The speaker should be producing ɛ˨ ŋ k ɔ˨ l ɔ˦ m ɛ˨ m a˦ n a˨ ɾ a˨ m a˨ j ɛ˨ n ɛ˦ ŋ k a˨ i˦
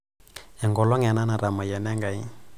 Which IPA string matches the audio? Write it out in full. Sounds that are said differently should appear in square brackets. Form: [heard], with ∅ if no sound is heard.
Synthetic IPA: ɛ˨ ŋ [ɡ] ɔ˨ l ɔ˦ [ŋ] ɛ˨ [n] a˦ n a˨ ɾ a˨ m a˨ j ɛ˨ n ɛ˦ ŋ [ɡ] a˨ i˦